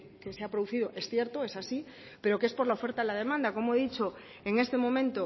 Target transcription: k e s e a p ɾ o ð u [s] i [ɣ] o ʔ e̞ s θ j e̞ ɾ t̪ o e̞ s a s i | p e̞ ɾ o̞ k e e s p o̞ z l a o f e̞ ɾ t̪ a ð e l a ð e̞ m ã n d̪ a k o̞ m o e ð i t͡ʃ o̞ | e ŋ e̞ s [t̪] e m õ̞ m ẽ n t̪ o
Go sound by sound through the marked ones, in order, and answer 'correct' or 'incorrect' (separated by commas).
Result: incorrect, incorrect, correct